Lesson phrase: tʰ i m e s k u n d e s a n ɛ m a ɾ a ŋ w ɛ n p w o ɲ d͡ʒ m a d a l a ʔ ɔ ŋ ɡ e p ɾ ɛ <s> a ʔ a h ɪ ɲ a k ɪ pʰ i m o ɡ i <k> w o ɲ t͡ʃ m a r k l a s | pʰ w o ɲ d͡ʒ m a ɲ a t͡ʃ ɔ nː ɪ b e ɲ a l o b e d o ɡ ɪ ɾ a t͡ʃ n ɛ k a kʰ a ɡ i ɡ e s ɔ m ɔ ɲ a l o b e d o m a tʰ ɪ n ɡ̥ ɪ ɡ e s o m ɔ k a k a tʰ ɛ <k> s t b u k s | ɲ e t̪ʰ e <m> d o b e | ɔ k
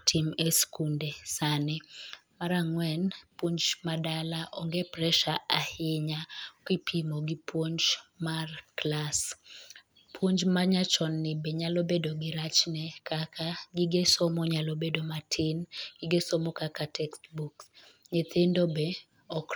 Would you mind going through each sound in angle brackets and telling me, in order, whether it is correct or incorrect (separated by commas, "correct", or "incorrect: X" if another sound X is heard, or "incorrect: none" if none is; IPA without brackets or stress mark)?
incorrect: ʃ, incorrect: p, correct, incorrect: n